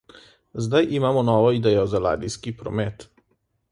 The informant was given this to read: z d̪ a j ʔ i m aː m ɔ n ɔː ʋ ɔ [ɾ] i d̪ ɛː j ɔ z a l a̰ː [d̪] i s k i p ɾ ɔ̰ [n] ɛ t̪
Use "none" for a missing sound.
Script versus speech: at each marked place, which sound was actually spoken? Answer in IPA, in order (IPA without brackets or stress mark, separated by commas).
none, d̪, m